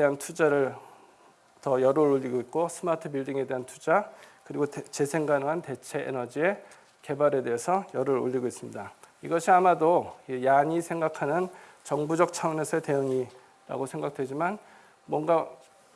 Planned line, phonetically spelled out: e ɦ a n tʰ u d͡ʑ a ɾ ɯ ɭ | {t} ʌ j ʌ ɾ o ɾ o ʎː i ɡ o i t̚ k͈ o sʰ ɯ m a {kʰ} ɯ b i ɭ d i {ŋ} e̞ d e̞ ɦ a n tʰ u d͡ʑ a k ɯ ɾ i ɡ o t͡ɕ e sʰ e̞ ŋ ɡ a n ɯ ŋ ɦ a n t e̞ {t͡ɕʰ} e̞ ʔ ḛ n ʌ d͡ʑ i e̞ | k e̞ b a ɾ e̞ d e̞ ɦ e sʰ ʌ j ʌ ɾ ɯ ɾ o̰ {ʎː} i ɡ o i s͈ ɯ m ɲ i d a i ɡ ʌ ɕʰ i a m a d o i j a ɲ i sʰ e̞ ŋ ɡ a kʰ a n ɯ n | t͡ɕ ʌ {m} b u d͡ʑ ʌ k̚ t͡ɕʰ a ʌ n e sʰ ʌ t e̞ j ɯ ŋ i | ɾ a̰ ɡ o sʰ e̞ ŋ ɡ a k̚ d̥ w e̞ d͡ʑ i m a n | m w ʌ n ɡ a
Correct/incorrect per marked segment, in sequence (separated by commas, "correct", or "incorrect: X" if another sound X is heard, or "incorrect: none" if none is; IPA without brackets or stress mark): correct, incorrect: tʰ, correct, correct, correct, incorrect: ŋ